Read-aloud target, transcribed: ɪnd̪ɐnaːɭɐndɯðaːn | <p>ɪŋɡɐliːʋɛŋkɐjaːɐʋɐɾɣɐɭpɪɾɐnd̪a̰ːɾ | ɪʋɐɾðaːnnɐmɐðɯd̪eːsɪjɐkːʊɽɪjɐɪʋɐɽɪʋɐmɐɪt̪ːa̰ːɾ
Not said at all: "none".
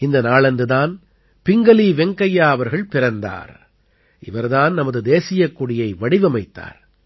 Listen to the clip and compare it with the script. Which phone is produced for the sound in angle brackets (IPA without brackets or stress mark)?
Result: p